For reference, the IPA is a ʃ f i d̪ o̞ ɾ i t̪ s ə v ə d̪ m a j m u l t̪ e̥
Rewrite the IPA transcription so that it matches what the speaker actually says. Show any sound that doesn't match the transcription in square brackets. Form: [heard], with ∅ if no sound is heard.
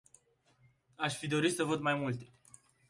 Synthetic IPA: a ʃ f i d̪ o̞ ɾ i t̪ s ə v ə d̪ m a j m u l t̪ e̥